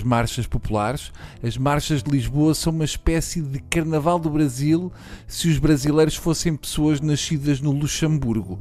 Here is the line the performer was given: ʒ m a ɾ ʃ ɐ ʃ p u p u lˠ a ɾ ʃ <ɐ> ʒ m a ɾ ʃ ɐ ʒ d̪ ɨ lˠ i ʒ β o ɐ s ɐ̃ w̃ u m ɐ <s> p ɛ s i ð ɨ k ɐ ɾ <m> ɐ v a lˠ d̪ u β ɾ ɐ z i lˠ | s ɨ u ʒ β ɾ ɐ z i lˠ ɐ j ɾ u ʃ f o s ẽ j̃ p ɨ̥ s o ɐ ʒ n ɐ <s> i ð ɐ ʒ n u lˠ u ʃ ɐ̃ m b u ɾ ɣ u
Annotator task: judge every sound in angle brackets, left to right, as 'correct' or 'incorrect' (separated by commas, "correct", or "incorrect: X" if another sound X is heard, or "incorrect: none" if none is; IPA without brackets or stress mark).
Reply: correct, incorrect: ʃ, incorrect: n, incorrect: ʃ